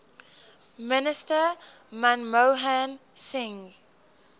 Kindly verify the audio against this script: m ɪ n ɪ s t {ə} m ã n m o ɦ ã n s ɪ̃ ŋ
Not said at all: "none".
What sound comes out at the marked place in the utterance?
ə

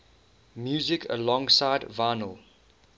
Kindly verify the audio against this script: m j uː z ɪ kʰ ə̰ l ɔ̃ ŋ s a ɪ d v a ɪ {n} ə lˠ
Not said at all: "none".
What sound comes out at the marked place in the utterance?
n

